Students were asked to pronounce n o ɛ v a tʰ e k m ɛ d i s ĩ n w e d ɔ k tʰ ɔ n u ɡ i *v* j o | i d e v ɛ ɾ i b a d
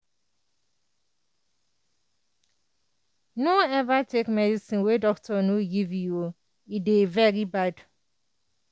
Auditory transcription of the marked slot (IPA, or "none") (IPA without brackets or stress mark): v